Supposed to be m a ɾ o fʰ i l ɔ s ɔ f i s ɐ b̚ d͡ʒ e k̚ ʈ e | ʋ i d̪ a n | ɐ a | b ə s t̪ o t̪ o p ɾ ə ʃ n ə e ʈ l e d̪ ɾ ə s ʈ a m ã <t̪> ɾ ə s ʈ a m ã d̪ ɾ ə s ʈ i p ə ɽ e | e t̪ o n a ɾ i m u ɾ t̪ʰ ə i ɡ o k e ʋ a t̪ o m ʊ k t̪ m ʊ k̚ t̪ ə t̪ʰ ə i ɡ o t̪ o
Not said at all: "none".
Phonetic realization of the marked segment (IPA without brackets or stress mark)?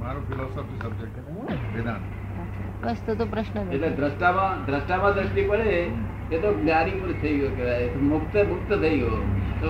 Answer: d̪